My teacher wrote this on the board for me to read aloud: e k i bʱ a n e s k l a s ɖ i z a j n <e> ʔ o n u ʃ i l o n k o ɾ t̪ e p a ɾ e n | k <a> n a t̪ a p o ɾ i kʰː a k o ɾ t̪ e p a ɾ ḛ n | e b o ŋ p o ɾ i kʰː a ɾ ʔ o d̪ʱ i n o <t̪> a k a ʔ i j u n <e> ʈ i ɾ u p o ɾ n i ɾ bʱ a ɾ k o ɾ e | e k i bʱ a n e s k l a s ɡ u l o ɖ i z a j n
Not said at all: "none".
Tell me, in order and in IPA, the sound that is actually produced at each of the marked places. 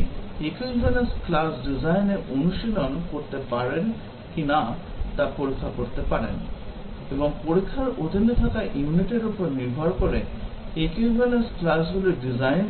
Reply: e, i, t̪ʰ, i

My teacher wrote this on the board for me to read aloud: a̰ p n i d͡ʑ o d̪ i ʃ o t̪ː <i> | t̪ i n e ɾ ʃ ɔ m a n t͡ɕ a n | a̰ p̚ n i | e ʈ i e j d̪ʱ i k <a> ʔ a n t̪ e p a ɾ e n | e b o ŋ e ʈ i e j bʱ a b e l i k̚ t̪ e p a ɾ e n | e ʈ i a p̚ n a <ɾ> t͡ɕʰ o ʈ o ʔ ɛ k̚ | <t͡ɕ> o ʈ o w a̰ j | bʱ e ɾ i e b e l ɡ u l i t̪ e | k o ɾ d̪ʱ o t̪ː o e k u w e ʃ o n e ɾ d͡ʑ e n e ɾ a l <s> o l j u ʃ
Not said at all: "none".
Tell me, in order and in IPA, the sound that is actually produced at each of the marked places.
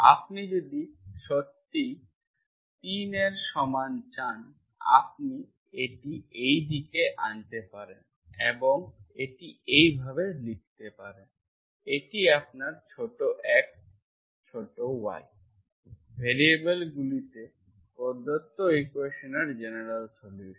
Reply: i, e, ɾ, t͡ɕʰ, s

